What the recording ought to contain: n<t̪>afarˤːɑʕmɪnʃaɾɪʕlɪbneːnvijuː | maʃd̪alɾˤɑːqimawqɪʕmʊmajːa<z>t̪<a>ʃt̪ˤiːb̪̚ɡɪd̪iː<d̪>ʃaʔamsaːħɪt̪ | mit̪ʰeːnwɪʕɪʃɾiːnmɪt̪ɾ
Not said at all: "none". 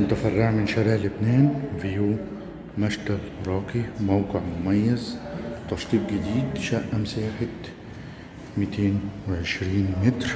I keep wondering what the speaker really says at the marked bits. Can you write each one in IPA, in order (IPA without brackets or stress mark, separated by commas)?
t̪, z, ɑ, d̪